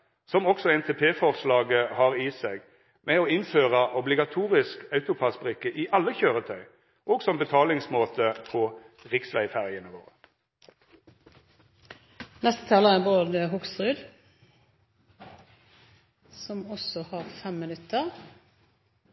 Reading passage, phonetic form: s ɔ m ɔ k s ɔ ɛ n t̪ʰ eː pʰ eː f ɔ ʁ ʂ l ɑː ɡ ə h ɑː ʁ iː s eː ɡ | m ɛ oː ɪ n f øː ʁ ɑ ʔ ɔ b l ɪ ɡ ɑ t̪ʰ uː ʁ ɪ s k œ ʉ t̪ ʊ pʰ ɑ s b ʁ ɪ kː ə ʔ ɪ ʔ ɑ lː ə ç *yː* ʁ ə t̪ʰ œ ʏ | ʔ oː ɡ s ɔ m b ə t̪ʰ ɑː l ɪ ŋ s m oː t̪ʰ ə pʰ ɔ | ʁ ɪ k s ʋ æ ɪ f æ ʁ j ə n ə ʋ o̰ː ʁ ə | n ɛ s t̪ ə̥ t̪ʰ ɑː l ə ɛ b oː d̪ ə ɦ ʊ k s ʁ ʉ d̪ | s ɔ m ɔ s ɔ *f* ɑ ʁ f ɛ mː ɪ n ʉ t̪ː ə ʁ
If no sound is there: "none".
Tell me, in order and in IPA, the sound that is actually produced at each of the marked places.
øː, h

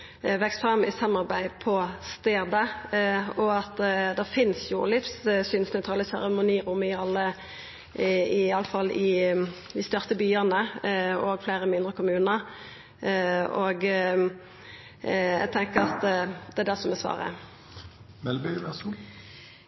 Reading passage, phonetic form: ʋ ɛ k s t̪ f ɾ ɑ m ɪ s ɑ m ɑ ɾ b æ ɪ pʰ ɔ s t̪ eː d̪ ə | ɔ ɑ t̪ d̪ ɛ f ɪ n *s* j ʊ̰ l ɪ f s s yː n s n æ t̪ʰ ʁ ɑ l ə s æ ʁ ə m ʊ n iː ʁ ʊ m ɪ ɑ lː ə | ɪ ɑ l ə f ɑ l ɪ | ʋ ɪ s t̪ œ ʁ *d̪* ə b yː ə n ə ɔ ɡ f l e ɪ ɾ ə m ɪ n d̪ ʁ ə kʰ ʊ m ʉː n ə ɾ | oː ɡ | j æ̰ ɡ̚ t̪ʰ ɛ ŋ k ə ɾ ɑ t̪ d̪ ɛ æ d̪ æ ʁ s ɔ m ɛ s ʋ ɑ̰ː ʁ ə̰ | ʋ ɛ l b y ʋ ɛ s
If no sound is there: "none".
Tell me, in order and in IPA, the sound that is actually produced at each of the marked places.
s, t̪

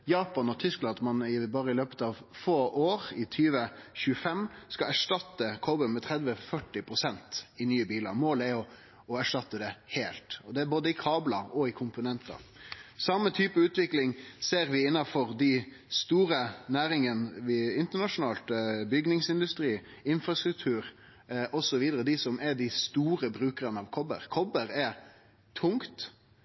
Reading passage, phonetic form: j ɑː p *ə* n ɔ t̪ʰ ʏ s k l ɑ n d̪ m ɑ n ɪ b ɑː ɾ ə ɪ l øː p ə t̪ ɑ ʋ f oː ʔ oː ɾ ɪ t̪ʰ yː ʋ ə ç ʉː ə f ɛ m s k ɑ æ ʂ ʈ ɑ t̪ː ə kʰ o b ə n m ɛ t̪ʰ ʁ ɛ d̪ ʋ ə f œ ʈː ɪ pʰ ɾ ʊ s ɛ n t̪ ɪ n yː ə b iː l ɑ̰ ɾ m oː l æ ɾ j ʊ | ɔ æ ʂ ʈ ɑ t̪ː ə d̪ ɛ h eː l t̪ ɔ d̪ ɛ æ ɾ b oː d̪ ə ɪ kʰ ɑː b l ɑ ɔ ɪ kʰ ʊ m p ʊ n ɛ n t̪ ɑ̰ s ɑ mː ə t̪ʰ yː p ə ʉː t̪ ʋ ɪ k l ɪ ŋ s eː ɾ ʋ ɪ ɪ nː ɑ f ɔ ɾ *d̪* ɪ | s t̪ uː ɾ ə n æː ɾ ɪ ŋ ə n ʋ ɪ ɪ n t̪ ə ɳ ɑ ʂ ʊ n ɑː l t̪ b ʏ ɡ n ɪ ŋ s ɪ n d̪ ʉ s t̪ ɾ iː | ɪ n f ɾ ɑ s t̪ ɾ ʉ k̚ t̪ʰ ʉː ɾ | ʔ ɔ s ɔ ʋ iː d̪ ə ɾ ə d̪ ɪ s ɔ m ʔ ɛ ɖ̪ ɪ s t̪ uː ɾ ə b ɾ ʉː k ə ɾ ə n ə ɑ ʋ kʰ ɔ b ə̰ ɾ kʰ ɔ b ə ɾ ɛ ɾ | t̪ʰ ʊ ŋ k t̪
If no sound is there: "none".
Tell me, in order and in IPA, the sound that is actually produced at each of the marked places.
ɑ, d̪

